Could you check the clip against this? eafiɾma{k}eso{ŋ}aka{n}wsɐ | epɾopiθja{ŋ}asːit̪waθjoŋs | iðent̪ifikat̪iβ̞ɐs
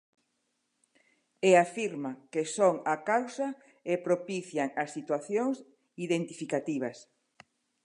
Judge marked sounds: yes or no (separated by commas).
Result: yes, yes, no, yes